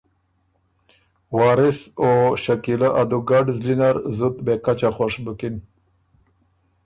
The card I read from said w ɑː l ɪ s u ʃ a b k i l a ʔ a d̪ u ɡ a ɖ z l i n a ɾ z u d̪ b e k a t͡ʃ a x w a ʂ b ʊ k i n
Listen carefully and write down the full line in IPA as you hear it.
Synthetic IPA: w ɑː ɾ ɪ s o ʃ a k i l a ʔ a d̪ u ɡ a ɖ z l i n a ɾ z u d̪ b e k a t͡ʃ a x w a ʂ b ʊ k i n